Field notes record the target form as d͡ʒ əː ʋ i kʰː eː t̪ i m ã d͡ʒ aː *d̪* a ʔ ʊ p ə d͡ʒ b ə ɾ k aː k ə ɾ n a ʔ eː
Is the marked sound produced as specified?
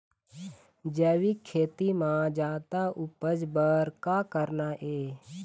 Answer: no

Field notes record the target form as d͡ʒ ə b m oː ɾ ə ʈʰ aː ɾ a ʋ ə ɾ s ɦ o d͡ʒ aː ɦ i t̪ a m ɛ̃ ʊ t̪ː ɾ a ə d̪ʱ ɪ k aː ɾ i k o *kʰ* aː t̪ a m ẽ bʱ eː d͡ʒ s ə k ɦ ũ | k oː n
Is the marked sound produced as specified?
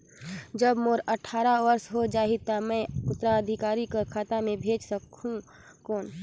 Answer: yes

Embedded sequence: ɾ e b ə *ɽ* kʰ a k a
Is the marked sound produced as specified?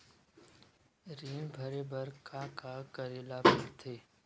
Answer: no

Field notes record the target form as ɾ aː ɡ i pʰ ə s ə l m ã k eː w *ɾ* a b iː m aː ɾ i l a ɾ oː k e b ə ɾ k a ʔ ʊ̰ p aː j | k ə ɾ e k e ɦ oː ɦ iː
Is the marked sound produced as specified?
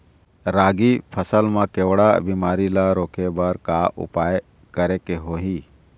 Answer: no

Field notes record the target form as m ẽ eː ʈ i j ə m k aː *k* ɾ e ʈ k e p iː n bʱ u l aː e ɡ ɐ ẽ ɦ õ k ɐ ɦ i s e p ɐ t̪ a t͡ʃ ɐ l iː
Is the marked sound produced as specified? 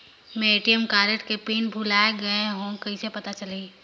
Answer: no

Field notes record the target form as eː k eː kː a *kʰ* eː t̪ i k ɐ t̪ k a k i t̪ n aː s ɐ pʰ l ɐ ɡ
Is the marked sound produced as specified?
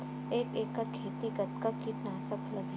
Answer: yes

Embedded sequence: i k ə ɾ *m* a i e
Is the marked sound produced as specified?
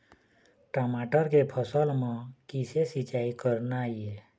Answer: no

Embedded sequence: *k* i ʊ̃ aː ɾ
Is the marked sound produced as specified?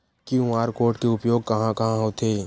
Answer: yes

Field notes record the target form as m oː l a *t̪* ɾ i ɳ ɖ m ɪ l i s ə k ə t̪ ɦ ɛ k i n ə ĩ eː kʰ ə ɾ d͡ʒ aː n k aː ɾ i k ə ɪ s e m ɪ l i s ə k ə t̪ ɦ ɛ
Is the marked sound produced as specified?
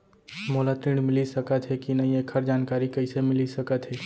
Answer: yes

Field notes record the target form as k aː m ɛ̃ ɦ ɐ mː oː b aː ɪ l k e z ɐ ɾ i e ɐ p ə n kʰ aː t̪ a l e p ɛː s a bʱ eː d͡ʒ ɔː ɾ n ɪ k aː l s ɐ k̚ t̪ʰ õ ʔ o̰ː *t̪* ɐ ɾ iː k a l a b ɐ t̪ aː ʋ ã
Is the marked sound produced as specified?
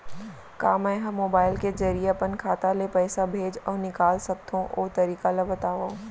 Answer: yes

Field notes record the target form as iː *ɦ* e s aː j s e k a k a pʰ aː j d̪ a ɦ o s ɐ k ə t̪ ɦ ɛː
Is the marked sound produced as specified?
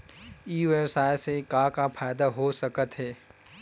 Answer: no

